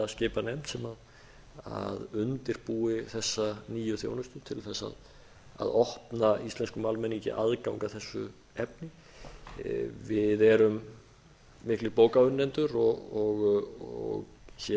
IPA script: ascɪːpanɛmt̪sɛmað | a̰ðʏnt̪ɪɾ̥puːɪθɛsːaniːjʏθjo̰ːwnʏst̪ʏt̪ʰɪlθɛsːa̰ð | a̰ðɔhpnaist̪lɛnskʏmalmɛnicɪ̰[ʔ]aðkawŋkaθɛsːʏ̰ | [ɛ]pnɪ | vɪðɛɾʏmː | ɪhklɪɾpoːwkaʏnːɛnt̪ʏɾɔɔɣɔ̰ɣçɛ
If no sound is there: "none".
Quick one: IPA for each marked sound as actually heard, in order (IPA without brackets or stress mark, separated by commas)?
ʔ, ɛ